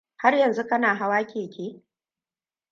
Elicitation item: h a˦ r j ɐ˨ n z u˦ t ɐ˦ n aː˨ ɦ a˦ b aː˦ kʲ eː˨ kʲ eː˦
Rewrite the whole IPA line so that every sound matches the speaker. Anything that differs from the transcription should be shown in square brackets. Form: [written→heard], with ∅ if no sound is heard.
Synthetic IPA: h a˦ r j ɐ˨ n z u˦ [t→k] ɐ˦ n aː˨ ɦ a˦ [b→w] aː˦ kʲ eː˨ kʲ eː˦